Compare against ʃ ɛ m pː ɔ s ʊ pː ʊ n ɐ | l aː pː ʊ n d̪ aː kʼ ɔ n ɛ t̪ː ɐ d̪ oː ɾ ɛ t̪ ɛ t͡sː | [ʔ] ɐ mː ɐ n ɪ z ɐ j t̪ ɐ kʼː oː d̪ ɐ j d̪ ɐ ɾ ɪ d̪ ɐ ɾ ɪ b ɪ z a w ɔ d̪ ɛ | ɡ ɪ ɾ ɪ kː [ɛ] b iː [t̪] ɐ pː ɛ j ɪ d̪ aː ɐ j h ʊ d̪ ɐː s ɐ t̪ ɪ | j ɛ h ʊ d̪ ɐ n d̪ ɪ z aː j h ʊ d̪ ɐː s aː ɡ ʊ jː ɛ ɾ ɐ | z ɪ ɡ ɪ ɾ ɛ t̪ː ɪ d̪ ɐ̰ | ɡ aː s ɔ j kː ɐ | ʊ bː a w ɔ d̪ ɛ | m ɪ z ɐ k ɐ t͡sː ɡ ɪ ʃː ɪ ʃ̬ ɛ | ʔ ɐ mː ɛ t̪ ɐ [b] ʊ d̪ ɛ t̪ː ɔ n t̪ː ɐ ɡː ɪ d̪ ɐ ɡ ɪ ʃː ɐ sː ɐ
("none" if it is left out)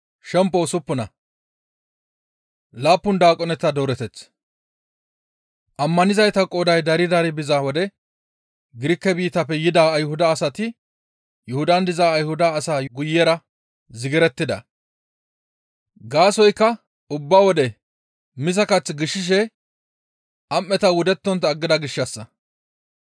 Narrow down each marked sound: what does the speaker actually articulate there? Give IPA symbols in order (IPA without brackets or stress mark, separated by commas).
ʔ, ɛ, t̪, w